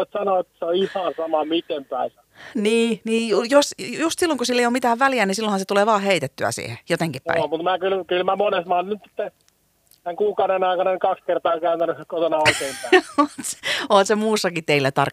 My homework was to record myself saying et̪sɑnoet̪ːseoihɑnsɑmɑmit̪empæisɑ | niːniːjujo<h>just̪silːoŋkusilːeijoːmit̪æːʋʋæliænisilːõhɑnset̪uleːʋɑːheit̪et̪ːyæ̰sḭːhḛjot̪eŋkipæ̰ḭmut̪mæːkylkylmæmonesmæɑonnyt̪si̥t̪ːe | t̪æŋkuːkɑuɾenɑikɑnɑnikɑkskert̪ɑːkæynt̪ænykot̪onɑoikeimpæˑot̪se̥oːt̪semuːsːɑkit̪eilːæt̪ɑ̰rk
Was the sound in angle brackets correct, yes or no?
no